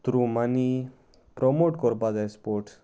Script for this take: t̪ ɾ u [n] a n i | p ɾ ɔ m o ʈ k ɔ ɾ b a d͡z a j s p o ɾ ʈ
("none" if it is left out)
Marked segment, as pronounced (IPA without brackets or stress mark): m